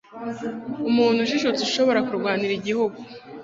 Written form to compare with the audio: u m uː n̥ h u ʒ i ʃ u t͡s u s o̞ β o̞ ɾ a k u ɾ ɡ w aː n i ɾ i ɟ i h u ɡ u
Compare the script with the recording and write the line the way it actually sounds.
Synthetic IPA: u m uː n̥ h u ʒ i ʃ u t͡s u ʃ o̞ β o̞ ɾ a k u ɾ ɡ w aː n i ɾ i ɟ i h u ɡ u